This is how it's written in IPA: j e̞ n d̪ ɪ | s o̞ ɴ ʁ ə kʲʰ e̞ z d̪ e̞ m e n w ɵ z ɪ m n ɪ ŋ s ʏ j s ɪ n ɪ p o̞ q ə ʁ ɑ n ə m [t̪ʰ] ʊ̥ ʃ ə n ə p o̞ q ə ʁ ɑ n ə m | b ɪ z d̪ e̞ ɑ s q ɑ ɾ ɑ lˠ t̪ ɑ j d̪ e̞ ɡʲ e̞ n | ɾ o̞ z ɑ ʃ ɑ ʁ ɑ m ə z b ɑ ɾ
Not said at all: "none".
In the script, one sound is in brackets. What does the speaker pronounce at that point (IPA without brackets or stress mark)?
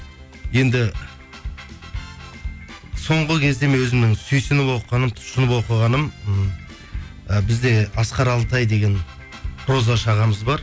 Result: t̪ʰ